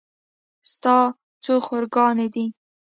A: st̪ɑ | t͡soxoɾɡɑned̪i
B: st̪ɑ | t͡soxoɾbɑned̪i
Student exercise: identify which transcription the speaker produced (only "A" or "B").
A